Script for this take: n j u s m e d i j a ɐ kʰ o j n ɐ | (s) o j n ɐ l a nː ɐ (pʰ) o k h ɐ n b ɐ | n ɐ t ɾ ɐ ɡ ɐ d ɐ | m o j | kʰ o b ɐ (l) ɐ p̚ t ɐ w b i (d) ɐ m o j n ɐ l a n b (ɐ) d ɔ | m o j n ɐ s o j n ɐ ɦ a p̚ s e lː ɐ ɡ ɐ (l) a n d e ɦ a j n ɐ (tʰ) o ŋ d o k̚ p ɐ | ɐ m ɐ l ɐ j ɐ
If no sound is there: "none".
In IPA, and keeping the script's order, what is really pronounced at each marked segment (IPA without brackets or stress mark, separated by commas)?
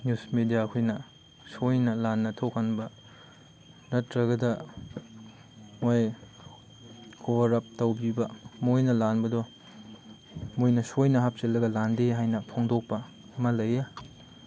s, tʰ, ɾ, b, ɐ, l, pʰ